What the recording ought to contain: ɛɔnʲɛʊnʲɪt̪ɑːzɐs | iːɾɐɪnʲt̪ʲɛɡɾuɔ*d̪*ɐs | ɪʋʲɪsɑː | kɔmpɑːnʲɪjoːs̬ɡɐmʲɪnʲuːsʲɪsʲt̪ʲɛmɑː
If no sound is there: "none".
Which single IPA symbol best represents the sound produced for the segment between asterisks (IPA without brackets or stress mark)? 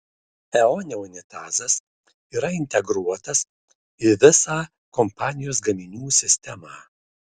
t̪